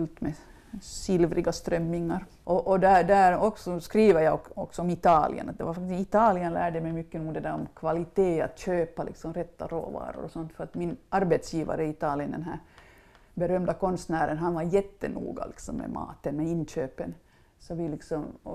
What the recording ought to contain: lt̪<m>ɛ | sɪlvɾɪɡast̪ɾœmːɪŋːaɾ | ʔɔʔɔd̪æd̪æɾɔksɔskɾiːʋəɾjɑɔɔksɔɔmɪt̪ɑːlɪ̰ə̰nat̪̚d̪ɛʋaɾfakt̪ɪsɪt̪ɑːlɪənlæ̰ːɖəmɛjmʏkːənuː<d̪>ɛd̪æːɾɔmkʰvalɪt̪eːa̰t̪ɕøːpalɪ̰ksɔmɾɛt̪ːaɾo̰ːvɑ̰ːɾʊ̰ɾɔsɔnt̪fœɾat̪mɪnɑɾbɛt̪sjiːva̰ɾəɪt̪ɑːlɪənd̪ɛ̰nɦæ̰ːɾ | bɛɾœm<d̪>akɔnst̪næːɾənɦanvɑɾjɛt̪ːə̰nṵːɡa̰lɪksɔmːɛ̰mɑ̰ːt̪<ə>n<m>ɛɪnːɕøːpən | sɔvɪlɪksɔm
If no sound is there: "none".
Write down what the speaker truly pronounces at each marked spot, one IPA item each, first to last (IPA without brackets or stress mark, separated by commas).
m, d̪, d̪, ə, m